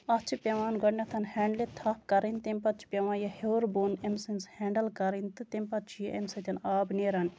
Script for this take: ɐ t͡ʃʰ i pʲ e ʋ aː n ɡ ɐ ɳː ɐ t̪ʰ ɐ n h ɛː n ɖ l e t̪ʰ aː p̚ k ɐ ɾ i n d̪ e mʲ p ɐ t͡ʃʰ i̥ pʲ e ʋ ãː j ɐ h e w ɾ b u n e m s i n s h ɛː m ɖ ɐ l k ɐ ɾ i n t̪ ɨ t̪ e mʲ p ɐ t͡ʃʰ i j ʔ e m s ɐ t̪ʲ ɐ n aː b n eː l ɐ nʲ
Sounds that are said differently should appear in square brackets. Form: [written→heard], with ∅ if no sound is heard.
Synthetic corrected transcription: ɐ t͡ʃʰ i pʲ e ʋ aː n ɡ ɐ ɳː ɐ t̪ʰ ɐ n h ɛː [n→ɳ] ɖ l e t̪ʰ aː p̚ k ɐ ɾ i n [d̪→t̪] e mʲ p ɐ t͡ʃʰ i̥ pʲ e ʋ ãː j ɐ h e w ɾ b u n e m s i n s h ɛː [m→ɳ] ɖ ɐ l k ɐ ɾ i n t̪ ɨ t̪ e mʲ p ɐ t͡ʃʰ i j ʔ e m s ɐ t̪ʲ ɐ n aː b n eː [l→ɾ] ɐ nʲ